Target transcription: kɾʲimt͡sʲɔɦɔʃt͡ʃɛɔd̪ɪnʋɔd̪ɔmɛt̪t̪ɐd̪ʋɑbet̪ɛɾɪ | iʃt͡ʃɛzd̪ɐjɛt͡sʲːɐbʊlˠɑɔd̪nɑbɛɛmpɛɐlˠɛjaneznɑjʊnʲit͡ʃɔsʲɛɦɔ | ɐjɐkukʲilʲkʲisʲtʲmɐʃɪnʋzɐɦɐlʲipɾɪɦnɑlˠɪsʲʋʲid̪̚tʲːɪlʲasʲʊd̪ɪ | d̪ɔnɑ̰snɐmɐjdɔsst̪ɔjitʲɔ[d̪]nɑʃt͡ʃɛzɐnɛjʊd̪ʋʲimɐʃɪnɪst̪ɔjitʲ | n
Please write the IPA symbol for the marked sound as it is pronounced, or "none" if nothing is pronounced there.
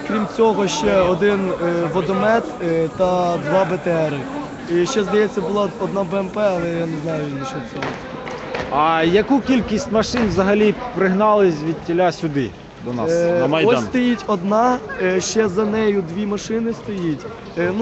d̪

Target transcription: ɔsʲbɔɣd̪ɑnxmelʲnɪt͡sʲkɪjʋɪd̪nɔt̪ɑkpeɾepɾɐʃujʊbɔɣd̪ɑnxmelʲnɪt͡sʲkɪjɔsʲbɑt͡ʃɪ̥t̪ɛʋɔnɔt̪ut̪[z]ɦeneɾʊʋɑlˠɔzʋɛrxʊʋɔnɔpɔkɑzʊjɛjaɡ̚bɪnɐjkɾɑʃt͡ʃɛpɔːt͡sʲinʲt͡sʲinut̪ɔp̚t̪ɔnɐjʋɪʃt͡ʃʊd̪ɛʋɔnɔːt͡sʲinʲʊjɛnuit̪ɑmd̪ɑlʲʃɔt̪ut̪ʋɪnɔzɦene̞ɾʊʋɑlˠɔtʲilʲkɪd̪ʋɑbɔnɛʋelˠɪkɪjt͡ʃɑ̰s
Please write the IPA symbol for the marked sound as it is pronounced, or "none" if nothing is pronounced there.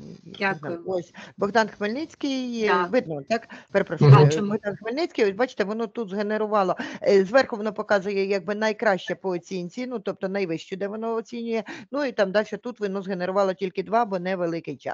z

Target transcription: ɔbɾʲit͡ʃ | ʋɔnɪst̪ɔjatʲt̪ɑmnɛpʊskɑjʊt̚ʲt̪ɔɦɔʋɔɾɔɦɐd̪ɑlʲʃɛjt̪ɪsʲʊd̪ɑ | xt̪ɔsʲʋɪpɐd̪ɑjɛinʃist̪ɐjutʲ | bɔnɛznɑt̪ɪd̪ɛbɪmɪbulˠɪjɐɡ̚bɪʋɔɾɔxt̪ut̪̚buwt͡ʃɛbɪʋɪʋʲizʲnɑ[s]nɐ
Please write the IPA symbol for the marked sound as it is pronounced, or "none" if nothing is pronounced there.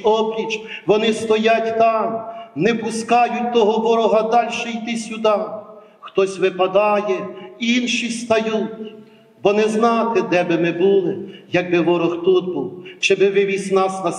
s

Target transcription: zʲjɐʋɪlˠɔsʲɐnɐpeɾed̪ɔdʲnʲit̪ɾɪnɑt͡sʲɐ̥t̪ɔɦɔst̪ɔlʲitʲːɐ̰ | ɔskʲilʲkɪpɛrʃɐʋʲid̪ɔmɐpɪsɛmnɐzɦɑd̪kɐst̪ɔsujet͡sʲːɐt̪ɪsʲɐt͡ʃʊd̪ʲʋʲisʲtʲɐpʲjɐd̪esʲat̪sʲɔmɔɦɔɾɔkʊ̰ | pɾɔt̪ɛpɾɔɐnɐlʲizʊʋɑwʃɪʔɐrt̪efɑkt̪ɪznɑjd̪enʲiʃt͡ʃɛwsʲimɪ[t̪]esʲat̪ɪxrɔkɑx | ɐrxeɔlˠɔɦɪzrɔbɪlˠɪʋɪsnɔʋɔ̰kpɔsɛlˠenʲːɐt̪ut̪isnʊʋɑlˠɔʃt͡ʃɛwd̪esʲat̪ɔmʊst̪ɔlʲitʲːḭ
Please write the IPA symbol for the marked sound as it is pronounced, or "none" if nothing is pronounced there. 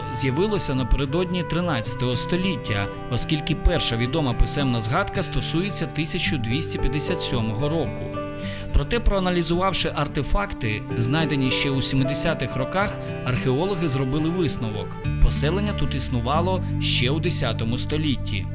d̪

